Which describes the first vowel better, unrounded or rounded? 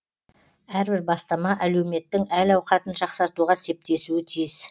unrounded